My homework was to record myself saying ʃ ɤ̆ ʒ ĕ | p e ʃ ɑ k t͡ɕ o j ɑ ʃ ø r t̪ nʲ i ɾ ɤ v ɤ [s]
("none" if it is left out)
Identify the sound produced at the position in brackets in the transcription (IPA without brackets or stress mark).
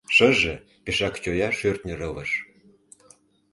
ʃ